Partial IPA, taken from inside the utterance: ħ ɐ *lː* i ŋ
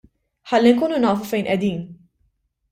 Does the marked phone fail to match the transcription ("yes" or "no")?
no